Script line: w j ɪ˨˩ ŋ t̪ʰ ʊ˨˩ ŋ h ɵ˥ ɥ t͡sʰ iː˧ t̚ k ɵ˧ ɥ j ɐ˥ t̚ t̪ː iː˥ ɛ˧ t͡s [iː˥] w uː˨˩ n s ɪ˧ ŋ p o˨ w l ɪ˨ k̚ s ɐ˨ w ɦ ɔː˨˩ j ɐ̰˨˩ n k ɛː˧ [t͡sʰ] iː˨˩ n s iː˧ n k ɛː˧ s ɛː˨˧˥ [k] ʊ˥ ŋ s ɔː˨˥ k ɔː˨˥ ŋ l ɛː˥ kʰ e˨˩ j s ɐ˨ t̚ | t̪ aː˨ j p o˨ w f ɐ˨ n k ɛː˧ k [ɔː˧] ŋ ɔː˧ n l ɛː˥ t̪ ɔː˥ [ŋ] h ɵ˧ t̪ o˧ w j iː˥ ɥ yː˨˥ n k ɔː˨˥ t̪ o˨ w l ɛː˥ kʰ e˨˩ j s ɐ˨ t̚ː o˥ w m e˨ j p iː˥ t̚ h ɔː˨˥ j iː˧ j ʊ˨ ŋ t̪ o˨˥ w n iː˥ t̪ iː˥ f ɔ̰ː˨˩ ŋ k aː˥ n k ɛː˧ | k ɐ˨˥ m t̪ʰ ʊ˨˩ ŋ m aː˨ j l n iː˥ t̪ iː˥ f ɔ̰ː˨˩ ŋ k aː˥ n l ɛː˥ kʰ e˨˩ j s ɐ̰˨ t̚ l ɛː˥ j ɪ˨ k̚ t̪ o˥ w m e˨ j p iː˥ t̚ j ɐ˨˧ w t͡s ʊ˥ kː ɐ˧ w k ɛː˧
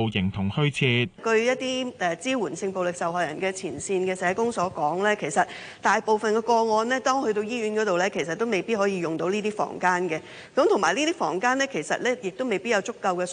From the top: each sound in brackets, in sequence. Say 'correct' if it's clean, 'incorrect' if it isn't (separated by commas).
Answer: correct, correct, correct, correct, correct